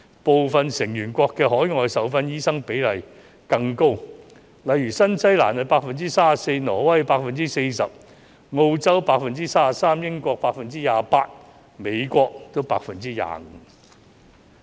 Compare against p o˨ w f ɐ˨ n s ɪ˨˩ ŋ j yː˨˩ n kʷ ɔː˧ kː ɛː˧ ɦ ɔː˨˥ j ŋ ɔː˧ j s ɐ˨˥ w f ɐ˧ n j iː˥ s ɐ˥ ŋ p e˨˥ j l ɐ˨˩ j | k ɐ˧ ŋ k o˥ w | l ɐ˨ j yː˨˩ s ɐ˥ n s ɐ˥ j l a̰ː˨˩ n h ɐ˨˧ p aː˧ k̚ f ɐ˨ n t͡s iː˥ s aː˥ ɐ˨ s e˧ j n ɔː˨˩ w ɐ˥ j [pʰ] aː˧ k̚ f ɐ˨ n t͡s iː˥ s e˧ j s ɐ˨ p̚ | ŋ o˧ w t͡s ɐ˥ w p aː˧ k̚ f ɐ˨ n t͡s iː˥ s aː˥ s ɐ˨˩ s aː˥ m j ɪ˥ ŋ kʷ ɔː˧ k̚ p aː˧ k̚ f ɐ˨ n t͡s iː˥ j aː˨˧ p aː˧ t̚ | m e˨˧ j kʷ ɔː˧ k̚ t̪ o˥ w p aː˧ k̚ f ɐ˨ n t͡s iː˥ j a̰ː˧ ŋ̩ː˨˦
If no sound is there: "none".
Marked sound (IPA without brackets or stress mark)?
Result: p